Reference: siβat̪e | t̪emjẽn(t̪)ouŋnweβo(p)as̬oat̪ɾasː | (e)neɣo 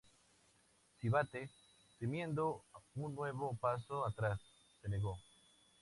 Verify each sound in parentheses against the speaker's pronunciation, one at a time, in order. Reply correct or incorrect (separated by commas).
incorrect, correct, correct